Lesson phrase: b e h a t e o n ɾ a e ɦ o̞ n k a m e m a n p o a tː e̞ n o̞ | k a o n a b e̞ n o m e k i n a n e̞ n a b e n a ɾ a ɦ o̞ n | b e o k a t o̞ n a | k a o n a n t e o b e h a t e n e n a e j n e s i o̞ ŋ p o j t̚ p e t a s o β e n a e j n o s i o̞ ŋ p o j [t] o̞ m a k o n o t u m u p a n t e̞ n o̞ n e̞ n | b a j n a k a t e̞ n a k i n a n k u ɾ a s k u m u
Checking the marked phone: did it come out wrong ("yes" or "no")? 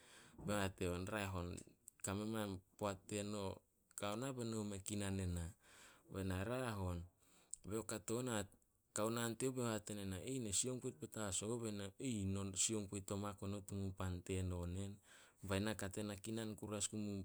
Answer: no